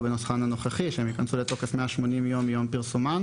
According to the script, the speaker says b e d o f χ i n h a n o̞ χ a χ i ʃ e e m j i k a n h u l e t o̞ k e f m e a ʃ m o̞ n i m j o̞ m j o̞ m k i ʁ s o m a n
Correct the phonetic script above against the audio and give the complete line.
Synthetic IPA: b e n o s χ a n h a n o̞ χ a χ i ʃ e e m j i k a n s u l e t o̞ k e f m e a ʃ m o̞ n i m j o̞ m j o̞ m p i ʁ s u m a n